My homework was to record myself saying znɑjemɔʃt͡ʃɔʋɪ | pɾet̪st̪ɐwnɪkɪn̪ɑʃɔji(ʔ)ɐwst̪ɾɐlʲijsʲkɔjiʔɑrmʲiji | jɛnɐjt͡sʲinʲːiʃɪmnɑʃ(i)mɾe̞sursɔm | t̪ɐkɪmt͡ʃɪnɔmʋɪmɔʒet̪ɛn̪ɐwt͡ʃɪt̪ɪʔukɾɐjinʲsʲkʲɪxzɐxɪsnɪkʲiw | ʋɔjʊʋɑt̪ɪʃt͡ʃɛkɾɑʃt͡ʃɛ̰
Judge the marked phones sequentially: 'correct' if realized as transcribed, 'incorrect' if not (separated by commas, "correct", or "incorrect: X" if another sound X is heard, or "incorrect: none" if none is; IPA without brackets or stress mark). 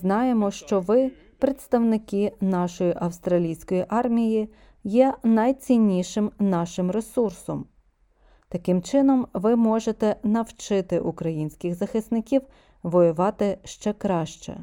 correct, incorrect: ɪ